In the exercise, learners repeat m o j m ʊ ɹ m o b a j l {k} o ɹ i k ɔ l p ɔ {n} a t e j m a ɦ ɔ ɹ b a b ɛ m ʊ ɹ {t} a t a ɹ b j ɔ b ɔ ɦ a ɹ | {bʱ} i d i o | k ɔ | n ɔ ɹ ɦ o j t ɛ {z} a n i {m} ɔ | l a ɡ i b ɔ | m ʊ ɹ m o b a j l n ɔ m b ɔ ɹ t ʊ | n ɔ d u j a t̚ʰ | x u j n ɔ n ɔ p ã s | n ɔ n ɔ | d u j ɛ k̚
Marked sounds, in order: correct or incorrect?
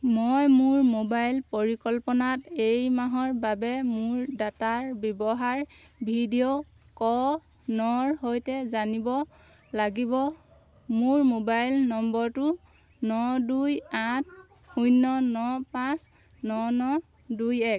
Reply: incorrect: p, correct, incorrect: d, correct, correct, incorrect: b

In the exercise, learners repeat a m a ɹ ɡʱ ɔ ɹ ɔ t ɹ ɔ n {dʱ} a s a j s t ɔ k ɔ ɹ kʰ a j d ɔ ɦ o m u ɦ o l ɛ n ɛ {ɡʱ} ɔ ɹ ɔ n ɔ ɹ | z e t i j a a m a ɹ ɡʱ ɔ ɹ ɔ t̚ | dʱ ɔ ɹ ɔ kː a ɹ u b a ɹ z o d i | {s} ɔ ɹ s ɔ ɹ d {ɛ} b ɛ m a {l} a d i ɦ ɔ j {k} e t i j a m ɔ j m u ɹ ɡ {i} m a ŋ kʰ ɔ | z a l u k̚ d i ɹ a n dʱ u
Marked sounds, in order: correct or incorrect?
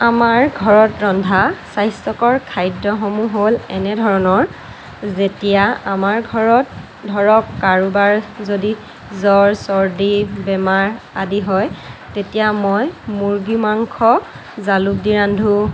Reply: correct, incorrect: dʱ, incorrect: z, incorrect: i, incorrect: ɹ, incorrect: t, correct

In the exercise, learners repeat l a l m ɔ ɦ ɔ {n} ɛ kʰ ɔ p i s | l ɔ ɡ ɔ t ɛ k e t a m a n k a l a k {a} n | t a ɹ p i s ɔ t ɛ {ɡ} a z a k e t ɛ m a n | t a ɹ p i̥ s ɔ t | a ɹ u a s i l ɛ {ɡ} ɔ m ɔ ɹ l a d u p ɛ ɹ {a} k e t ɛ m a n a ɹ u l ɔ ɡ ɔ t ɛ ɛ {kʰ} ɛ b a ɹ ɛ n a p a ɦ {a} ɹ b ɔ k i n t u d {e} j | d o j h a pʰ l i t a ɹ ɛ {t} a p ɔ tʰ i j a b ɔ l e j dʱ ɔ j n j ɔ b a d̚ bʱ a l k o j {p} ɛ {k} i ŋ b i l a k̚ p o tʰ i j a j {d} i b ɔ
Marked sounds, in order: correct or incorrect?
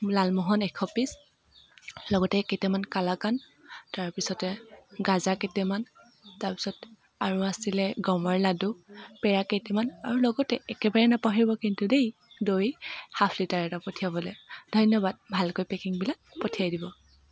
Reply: correct, correct, correct, correct, correct, incorrect: k, incorrect: i, correct, correct, correct, correct, correct

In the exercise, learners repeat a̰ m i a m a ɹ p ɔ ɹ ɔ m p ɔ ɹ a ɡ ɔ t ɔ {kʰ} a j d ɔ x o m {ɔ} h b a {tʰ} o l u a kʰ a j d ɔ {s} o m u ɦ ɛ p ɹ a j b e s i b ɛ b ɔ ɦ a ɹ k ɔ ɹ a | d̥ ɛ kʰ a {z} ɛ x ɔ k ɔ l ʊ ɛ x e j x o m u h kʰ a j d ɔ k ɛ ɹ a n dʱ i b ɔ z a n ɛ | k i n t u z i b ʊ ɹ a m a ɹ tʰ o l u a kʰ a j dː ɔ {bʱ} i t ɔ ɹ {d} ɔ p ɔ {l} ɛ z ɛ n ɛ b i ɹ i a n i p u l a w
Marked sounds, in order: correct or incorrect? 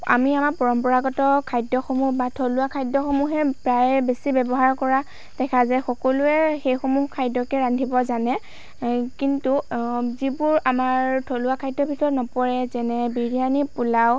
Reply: correct, incorrect: u, correct, incorrect: x, correct, correct, incorrect: n, incorrect: ɹ

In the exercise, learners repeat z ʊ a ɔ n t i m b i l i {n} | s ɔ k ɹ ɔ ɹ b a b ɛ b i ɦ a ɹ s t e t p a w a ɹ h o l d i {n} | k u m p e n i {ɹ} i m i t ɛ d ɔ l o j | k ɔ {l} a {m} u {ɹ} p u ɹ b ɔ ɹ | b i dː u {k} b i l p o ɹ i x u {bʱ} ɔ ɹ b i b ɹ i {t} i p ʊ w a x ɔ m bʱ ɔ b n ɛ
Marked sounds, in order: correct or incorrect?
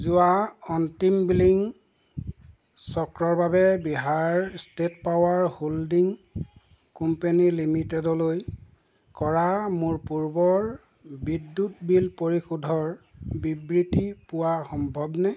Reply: incorrect: ŋ, incorrect: ŋ, incorrect: l, incorrect: ɹ, correct, correct, incorrect: t, incorrect: dʱ, correct

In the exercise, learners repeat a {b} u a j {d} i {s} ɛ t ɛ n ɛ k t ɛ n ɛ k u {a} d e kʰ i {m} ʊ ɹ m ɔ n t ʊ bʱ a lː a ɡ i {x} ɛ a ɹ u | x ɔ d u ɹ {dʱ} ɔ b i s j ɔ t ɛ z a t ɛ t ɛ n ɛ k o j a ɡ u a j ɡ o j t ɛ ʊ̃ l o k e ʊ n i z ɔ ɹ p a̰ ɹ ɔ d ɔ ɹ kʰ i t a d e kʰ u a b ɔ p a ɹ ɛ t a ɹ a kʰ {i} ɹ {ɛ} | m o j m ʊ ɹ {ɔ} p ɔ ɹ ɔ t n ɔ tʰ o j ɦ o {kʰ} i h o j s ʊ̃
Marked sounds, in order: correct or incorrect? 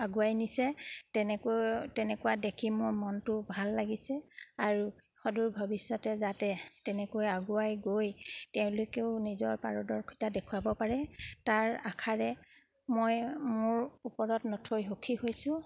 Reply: incorrect: ɡ, incorrect: n, correct, correct, correct, incorrect: s, incorrect: bʱ, incorrect: a, correct, incorrect: u, correct

